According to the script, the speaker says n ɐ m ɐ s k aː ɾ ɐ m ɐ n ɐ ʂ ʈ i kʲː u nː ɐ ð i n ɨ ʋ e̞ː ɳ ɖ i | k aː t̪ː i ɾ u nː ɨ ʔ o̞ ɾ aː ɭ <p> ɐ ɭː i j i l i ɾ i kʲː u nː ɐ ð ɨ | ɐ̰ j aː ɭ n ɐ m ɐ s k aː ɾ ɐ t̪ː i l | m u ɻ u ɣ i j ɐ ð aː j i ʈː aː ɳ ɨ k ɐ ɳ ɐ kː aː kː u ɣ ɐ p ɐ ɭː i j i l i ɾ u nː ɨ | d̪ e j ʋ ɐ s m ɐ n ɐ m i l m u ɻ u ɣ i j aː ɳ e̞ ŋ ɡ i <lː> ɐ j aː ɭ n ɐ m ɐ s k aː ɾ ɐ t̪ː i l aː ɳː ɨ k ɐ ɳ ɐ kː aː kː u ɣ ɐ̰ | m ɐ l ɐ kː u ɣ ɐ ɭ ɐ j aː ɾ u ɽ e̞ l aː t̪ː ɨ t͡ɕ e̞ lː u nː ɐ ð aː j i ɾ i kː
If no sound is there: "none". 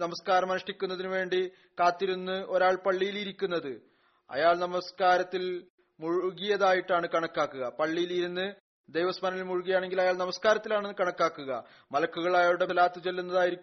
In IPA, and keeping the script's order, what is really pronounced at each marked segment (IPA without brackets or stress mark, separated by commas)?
p, l